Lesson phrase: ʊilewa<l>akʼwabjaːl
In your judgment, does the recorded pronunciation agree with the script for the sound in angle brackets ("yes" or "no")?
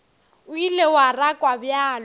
no